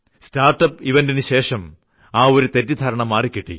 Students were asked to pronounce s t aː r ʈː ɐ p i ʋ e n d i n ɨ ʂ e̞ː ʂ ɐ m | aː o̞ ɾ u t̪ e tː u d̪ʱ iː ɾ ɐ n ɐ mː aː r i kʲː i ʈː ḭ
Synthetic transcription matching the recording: s t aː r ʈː ɐ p i ʋ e n d i n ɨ ɕ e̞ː ʂ ɐ m | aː o̞ ɾ u t̪ e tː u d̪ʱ aː ɾ ɐ ɳ ɐ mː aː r i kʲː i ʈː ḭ